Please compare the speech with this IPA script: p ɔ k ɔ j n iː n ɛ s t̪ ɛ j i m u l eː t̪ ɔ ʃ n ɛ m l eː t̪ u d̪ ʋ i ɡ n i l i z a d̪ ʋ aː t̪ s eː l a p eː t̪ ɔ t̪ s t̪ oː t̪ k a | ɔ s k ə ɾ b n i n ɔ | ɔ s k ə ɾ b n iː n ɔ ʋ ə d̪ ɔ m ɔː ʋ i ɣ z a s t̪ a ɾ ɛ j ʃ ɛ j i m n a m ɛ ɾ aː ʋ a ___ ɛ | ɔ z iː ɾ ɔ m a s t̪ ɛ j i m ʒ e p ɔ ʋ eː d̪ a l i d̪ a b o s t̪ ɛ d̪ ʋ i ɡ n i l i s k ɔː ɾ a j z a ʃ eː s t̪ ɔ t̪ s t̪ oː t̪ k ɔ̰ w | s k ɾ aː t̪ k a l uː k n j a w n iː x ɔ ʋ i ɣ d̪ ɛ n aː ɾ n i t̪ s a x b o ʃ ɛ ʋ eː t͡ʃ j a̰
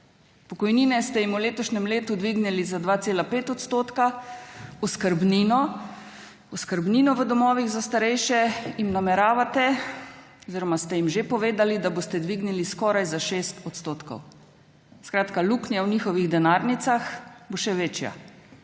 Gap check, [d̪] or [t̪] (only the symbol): t̪